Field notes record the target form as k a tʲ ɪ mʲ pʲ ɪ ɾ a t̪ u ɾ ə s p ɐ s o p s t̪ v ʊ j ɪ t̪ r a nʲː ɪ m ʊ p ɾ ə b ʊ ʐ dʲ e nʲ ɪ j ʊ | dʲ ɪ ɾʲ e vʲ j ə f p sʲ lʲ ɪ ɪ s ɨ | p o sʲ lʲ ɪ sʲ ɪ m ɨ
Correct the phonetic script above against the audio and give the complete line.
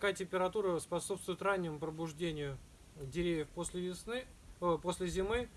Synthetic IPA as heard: k a tʲ ɪ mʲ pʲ ɪ ɾ ɐ t̪ u ɾ ə s p ɐ s o p s t̪ v ʊ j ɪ t̪ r a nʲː ɪ m ʊ p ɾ ə b ʊ ʐ dʲ e nʲ ɪ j ʊ | dʲ ɪ ɾʲ e vʲ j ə f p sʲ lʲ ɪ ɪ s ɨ | p o sʲ lʲ ɪ zʲ ɪ m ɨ